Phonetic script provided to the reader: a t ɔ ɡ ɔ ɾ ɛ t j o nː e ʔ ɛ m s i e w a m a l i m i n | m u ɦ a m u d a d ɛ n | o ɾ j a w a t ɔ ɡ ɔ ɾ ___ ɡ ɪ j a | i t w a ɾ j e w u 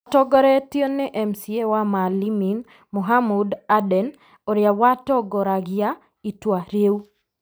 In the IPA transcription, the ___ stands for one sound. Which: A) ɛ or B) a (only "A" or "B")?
B